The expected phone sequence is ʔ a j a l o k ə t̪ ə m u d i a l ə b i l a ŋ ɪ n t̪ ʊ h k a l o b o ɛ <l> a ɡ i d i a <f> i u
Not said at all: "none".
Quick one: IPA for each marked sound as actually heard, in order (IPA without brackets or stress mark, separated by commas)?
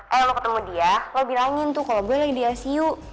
l, s